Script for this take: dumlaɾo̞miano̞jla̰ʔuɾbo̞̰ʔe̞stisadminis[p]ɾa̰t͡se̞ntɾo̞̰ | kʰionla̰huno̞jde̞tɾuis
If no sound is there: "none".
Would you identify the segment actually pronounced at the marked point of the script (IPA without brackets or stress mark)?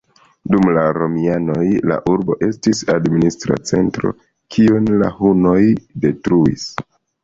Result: t